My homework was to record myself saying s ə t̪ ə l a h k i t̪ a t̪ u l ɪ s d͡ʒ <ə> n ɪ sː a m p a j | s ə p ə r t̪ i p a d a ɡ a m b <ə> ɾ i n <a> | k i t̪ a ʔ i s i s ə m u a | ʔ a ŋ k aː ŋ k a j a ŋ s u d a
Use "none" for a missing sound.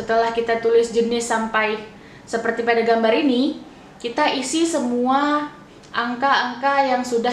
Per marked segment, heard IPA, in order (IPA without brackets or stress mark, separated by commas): ə, a, i